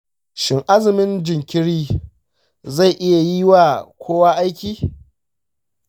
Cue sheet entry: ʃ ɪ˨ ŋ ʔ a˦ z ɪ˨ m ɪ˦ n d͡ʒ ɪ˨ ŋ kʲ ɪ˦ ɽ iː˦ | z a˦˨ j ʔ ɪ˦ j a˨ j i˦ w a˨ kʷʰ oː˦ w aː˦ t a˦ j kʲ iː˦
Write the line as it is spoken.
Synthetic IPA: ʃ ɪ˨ ŋ ʔ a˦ z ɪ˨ m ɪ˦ n d͡ʒ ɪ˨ ŋ kʲ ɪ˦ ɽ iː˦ | z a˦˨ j ʔ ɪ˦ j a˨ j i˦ w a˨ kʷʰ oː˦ w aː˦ ʔ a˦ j kʲ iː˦

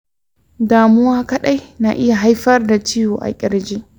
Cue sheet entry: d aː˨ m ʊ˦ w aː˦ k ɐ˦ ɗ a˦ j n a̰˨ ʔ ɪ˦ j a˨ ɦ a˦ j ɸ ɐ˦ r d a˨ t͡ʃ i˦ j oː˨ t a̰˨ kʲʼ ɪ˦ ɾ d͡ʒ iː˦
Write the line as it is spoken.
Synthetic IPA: d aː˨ m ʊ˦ w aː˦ k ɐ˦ ɗ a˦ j n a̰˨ ʔ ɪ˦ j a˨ ɦ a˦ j ɸ ɐ˦ r d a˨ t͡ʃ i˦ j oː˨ ʔ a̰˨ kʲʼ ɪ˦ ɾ d͡ʒ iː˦

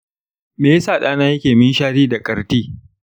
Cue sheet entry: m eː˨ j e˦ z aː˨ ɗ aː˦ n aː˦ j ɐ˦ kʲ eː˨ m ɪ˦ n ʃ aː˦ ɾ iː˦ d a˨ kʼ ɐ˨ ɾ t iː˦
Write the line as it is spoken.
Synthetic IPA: m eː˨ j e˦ s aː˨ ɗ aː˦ n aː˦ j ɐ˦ kʲ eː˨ m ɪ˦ n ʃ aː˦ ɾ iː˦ d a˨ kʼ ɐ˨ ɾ t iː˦

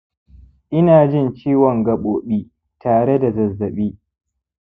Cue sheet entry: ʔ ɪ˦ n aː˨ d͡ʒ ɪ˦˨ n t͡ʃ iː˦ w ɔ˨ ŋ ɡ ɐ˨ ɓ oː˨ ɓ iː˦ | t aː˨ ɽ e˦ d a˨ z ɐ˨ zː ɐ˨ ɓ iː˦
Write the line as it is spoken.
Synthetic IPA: ʔ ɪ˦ n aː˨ d͡ʒ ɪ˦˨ n t͡ʃ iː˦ w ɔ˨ ŋ ɡ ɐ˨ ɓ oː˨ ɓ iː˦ | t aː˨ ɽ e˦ d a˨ z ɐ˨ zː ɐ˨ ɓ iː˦

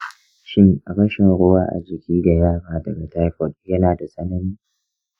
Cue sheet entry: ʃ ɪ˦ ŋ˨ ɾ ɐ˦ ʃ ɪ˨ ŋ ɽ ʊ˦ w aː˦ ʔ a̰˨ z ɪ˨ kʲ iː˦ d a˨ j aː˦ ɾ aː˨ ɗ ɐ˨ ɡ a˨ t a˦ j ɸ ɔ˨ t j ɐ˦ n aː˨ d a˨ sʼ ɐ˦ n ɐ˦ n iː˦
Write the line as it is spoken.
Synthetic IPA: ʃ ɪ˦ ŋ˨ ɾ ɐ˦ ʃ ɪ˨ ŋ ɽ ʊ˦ w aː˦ ʔ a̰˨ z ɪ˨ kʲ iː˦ d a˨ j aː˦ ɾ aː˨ d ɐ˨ ɡ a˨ t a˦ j ɸ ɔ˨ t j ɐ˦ n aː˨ d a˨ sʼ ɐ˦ n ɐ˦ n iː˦

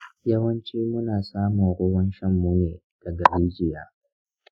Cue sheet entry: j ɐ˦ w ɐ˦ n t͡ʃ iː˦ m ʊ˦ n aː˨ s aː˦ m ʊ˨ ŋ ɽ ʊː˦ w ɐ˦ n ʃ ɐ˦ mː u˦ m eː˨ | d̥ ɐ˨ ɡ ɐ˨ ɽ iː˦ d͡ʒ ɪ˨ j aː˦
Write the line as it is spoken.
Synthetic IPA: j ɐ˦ w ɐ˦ n t͡ʃ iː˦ m ʊ˦ n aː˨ s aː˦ m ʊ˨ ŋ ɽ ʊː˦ w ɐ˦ n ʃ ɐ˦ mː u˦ n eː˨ | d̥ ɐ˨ ɡ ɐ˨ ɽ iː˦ d͡ʒ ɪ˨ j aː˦

